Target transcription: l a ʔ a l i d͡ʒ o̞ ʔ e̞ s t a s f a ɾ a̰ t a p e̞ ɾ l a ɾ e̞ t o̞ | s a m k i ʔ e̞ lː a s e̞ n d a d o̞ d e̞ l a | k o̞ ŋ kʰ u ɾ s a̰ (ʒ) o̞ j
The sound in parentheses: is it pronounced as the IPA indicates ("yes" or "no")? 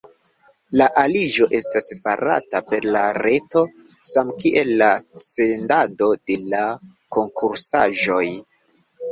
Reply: yes